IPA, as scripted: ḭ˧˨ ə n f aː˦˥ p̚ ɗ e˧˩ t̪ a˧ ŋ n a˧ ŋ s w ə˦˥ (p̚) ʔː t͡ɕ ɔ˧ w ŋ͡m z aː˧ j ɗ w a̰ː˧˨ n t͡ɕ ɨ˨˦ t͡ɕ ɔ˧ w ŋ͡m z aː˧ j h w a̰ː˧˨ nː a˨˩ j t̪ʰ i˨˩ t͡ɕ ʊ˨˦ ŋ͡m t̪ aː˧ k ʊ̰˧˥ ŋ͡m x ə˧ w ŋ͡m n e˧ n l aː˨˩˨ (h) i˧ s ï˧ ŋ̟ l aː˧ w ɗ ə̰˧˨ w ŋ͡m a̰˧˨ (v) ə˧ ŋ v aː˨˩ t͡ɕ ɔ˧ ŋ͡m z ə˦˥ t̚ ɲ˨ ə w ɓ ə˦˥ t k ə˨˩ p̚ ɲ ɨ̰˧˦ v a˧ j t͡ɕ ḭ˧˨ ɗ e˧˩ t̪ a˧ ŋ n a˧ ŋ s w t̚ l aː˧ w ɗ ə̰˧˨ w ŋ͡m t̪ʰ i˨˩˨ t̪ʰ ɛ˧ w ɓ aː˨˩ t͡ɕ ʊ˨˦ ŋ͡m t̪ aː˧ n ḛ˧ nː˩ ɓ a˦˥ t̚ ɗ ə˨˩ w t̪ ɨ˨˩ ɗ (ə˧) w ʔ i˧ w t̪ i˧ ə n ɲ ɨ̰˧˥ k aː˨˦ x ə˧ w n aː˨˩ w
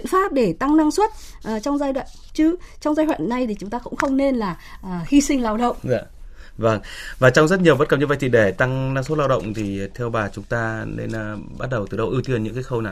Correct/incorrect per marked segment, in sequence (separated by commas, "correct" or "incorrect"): incorrect, correct, correct, correct